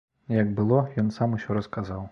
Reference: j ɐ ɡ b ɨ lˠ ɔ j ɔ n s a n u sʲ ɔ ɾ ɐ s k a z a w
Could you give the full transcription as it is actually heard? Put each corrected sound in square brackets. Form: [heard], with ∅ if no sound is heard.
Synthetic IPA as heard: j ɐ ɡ b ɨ lˠ ɔ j ɔ n s a [m] u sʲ ɔ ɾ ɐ s k a z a w

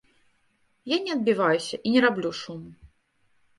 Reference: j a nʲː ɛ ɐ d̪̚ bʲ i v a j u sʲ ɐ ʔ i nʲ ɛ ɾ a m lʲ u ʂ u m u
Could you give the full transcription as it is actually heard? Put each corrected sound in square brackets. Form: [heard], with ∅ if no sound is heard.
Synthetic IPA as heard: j a [nʲ] ɛ ɐ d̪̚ bʲ i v a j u sʲ ɐ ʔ i nʲ ɛ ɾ a [b] lʲ u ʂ u m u

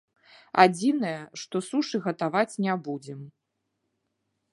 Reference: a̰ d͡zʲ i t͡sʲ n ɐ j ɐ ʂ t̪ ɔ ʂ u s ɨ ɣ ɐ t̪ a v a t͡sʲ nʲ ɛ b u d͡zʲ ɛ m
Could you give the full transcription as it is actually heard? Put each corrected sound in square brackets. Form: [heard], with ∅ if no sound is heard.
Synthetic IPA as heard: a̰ d͡zʲ i [∅] n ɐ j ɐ ʂ t̪ ɔ [s] u [ʂ] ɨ ɣ ɐ t̪ a v a t͡sʲ nʲ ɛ b u d͡zʲ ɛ m

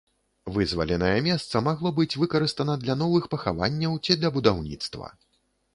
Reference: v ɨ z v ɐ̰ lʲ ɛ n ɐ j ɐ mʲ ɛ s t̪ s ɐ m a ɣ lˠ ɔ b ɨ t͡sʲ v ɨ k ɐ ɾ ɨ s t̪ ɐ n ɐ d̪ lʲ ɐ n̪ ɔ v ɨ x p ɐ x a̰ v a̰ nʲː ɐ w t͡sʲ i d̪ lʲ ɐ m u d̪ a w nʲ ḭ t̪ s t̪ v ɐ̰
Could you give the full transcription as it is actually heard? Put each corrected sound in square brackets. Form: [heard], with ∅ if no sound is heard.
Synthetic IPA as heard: v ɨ z v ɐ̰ lʲ ɛ n ɐ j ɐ mʲ ɛ s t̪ s ɐ m a ɣ lˠ ɔ b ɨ t͡sʲ v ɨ k ɐ ɾ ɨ s t̪ ɐ n ɐ d̪ lʲ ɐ n̪ ɔ v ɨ x p ɐ x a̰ v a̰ nʲː ɐ w t͡sʲ i d̪ lʲ ɐ [b] u d̪ a w nʲ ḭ t̪ s t̪ v ɐ̰

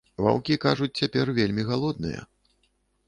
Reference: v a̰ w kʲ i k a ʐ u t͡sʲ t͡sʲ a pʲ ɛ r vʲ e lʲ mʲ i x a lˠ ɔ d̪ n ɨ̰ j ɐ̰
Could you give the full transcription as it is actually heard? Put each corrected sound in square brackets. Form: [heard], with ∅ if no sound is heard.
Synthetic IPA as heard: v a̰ w kʲ i k a ʐ u t͡sʲ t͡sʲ a pʲ ɛ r vʲ e lʲ mʲ i [ɣ] a lˠ ɔ d̪ n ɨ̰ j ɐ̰

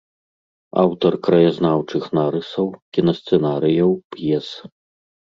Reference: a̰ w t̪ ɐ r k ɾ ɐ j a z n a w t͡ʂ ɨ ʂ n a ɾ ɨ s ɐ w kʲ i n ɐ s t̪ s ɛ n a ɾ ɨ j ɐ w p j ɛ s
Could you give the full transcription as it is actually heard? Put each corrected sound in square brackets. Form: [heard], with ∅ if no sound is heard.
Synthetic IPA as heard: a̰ w t̪ ɐ r k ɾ ɐ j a z n a w t͡ʂ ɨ [x] n a ɾ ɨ s ɐ w kʲ i n ɐ s t̪ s ɛ n a ɾ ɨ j ɐ w p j ɛ s

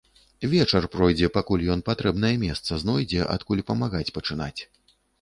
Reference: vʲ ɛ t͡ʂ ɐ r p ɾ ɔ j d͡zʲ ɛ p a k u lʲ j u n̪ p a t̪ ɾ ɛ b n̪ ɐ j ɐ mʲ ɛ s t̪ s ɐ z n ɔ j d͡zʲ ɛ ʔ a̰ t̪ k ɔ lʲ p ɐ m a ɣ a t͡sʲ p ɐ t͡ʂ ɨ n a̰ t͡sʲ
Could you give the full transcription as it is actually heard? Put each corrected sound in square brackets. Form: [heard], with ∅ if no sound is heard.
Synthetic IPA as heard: vʲ ɛ t͡ʂ ɐ r p ɾ ɔ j d͡zʲ ɛ p a k u lʲ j [ɔ] n̪ p a t̪ ɾ ɛ b n̪ ɐ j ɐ mʲ ɛ s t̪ s ɐ z n ɔ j d͡zʲ ɛ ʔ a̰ t̪ k [u] lʲ p ɐ m a ɣ a t͡sʲ p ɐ t͡ʂ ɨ n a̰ t͡sʲ

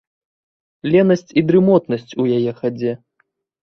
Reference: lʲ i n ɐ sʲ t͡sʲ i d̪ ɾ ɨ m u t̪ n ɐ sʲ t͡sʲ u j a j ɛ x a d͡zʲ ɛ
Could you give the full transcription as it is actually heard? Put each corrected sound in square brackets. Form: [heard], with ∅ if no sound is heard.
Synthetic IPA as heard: lʲ [ɛ] n ɐ sʲ t͡sʲ i d̪ ɾ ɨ m [ɔ] t̪ n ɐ sʲ t͡sʲ u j a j ɛ x a d͡zʲ ɛ

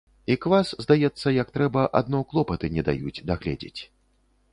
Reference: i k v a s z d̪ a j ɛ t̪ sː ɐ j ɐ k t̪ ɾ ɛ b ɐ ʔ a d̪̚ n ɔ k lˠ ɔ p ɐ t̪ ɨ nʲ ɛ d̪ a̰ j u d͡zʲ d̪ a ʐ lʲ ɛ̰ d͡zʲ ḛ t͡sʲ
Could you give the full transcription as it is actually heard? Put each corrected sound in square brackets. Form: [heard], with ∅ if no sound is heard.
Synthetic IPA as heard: i k v a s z d̪ a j ɛ t̪ sː ɐ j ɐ k t̪ ɾ ɛ b ɐ ʔ a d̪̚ n ɔ k lˠ ɔ p ɐ t̪ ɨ nʲ ɛ d̪ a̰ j u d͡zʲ d̪ a [ɣ] lʲ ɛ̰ d͡zʲ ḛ t͡sʲ

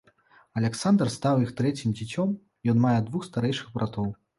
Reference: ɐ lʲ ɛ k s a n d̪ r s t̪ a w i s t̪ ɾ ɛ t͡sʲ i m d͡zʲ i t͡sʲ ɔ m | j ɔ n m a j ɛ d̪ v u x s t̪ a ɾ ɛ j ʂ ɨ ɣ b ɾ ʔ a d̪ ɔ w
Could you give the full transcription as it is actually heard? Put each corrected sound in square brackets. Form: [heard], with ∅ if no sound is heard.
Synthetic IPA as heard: ɐ lʲ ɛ k s a n d̪ r s t̪ a w i [x] t̪ ɾ ɛ t͡sʲ i m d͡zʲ i t͡sʲ ɔ m | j ɔ n m a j ɛ d̪ v u x s t̪ a ɾ ɛ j ʂ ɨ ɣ b ɾ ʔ a [t̪] ɔ w

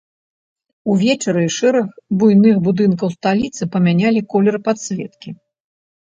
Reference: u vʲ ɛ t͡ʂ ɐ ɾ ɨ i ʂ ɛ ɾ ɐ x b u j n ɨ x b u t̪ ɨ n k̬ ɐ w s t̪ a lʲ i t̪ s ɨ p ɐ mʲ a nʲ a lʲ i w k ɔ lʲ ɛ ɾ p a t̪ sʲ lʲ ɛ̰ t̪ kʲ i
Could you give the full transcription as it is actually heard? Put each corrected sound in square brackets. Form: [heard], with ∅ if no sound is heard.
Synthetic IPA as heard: u vʲ ɛ t͡ʂ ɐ ɾ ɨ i ʂ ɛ ɾ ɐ x b u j n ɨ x b u [d̪] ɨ n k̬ ɐ w s t̪ a lʲ i t̪ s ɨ p ɐ mʲ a nʲ a lʲ i [∅] k ɔ lʲ ɛ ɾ p a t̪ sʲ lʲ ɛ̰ t̪ kʲ i

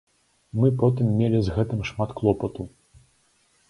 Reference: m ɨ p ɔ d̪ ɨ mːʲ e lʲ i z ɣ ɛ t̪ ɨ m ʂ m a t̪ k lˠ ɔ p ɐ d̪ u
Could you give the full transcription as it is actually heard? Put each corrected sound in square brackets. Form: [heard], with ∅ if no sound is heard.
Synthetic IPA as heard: m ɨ p ɔ [t̪] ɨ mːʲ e lʲ i z ɣ ɛ t̪ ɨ m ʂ m a t̪ k lˠ ɔ p ɐ [t̪] u

